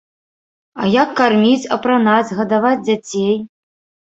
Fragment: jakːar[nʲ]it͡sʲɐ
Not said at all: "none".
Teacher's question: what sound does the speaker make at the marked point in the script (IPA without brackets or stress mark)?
mʲ